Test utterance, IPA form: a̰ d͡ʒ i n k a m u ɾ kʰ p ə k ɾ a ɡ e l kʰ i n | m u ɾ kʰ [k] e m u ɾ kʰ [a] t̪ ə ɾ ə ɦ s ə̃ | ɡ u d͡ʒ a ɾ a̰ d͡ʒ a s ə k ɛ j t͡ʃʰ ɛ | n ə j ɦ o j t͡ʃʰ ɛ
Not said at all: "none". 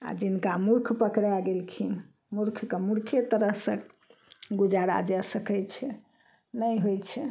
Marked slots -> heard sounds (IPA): k, e

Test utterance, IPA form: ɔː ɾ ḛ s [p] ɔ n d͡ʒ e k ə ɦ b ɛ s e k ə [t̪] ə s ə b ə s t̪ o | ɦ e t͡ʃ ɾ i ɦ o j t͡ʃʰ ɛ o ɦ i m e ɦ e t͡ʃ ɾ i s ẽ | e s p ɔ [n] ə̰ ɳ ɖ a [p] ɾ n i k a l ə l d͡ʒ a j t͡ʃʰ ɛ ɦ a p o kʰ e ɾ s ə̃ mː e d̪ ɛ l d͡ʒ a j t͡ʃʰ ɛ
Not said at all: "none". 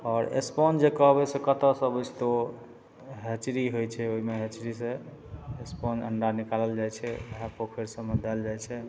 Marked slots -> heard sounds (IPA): p, t̪, n, none

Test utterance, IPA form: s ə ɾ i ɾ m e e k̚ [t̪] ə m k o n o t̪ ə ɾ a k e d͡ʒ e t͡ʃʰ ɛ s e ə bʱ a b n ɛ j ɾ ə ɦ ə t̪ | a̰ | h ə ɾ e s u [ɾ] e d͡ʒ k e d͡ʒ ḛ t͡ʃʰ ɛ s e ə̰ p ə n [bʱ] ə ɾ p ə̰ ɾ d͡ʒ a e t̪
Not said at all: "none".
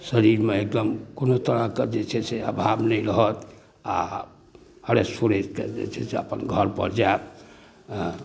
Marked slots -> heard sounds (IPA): d̪, ɾ, ɡʱ

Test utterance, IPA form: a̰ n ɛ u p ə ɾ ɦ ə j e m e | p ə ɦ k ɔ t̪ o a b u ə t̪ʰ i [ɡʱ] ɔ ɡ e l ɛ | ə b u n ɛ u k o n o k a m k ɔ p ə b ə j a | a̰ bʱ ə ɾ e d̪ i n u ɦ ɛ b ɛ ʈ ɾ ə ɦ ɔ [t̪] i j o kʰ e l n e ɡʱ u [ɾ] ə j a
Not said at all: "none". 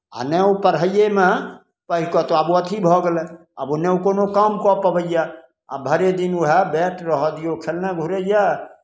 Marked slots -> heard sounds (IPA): bʱ, d̪, ɾ

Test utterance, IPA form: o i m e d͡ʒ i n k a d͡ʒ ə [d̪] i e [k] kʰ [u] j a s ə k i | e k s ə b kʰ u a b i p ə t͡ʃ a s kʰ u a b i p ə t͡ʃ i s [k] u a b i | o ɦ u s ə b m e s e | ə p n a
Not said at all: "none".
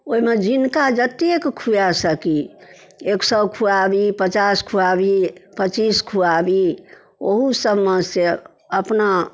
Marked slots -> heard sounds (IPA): t̪, k, u, kʰ

